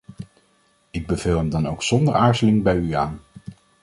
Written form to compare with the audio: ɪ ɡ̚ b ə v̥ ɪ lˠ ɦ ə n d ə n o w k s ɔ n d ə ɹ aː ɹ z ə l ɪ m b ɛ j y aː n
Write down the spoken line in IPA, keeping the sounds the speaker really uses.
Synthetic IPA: ɪ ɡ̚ b ə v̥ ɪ lˠ ɦ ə m d ɑ n o w k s ɔ n d ə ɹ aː ɹ z ə l ɪ ŋ b ɛ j y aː n